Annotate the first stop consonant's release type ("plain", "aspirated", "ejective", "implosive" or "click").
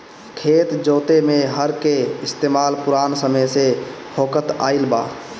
aspirated